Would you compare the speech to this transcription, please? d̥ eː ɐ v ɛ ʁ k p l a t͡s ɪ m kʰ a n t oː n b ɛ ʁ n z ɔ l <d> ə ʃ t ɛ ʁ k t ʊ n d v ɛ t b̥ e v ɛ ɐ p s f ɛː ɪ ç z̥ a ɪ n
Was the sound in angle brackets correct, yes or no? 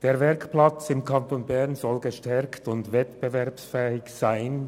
no